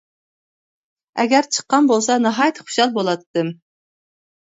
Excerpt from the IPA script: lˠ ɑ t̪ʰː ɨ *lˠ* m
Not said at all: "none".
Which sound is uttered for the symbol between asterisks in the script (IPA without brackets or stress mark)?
none